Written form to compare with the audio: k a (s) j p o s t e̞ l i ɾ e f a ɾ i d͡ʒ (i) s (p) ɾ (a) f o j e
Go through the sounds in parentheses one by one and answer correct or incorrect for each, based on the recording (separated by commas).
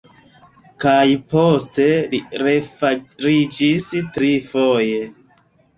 incorrect, correct, incorrect, incorrect